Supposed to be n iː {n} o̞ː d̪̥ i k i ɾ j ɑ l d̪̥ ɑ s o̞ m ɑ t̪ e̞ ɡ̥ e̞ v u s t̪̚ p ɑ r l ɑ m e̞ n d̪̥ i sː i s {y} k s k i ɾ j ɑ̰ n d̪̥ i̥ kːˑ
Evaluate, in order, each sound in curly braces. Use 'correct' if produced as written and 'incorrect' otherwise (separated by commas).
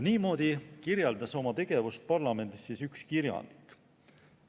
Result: incorrect, correct